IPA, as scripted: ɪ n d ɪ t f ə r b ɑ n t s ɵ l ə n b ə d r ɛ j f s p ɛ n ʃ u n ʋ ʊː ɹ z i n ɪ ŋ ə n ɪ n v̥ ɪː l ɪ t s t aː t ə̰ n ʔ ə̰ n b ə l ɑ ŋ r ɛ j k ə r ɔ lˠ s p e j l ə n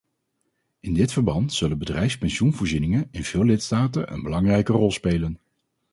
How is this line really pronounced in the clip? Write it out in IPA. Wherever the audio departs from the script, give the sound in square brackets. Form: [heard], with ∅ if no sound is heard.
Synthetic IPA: ɪ n d ɪ t f ə [ɹ] b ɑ n t s ɵ l ə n b ə d r ɛ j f s p ɛ n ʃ u n [v] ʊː ɹ z i n ɪ ŋ ə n ɪ n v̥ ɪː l ɪ t s t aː t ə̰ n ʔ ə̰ n b ə l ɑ ŋ r ɛ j k ə r ɔ lˠ s p e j l ə n